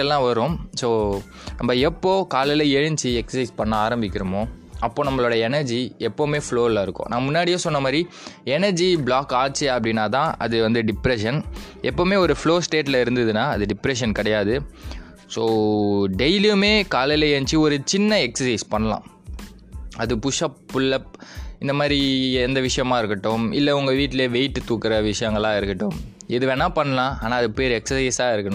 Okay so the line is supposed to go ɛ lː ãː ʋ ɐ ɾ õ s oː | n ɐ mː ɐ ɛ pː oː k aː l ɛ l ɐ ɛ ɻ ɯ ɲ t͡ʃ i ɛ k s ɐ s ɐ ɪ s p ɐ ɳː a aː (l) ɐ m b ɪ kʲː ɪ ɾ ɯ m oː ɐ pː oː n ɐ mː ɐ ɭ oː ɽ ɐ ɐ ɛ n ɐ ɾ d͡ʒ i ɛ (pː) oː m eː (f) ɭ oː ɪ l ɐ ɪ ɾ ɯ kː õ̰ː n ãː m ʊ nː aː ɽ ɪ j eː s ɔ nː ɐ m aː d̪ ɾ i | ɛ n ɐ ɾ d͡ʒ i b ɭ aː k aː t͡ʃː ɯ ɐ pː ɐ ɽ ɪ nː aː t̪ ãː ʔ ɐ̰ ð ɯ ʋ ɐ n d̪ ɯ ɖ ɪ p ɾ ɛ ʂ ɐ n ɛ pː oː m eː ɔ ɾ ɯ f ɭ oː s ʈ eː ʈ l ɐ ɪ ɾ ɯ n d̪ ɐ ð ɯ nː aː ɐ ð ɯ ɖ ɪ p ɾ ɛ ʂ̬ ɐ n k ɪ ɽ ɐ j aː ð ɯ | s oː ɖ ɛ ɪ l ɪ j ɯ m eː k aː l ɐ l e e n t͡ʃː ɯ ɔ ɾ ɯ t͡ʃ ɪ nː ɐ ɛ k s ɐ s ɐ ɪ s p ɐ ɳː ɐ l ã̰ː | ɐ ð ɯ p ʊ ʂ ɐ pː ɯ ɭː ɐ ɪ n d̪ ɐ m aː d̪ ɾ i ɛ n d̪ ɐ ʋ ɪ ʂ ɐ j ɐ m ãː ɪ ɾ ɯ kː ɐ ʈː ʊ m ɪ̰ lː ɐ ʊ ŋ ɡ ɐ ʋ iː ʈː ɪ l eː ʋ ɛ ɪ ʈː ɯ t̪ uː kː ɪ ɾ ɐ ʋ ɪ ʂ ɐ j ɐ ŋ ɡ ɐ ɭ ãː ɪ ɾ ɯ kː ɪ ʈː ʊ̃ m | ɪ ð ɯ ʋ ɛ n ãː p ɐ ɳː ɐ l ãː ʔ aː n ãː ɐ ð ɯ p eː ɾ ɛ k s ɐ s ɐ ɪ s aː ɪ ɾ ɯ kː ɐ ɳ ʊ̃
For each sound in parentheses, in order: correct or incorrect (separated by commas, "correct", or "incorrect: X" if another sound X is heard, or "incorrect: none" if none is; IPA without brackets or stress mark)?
incorrect: ɾ, correct, correct